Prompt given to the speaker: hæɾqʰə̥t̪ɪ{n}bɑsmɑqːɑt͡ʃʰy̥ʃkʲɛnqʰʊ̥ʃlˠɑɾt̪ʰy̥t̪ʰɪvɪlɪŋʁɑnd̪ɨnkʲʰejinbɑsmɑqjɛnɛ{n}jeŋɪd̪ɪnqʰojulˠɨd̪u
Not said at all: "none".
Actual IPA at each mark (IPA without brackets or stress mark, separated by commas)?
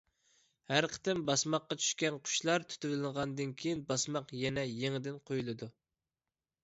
m, none